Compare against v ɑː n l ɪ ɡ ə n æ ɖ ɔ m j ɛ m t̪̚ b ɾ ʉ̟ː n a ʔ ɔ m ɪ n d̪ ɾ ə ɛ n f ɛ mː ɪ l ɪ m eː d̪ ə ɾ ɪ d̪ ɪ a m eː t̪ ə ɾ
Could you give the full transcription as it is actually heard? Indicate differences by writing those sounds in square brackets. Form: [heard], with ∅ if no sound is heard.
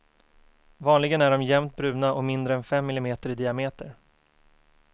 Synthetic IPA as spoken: v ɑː n l ɪ ɡ ə n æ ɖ ɔ m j ɛ m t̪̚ b ɾ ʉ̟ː n a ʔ ɔ m ɪ n d̪ ɾ ə ɛ n f ɛ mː ɪ l ɪ m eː [t̪] ə ɾ ɪ d̪ ɪ a m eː t̪ ə ɾ

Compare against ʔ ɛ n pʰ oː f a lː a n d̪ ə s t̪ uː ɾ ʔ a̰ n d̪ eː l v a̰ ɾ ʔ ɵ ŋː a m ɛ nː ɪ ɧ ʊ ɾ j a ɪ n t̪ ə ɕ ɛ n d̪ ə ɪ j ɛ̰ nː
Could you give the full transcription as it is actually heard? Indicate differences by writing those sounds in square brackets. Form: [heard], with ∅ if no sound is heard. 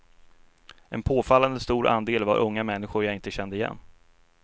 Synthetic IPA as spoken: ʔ ɛ n pʰ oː f a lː a n d̪ ə s t̪ uː ɾ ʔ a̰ n d̪ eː l v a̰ ɾ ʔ ɵ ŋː a m ɛ nː ɪ ɧ ʊ ɾ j a ɪ n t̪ ə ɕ ɛ n d̪ ə ɪ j ɛ̰ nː

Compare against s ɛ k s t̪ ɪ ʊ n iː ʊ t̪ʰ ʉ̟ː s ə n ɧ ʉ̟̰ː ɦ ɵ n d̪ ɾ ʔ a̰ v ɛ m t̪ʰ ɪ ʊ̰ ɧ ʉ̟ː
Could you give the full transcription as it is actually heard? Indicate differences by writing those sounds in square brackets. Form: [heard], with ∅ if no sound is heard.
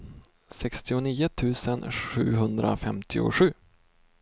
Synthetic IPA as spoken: s ɛ k s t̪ ɪ ʊ n iː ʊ t̪ʰ ʉ̟ː s ə n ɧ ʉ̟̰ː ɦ ɵ n d̪ ɾ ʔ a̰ [f] ɛ m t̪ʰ ɪ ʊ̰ ɧ ʉ̟ː

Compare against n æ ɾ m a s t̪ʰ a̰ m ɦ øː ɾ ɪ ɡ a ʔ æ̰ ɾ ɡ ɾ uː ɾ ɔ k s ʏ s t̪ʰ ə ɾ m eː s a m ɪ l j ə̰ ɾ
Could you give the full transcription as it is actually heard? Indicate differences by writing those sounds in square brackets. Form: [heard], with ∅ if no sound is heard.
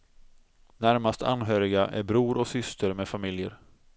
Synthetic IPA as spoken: n æ ɾ m a s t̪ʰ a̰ [n] ɦ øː ɾ ɪ ɡ a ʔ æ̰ ɾ [b] ɾ uː ɾ ɔ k s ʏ s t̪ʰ ə ɾ m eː [f] a m ɪ l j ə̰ ɾ

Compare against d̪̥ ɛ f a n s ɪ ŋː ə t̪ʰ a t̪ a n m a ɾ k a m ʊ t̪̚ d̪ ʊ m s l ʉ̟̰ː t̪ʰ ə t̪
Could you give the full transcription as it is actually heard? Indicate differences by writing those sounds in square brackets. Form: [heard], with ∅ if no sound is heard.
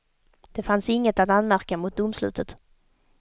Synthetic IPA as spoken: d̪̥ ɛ f a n s ɪ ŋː ə [t̪] a t̪ a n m [æ] ɾ k a m ʊ t̪̚ d̪ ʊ m s l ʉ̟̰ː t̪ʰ ə t̪

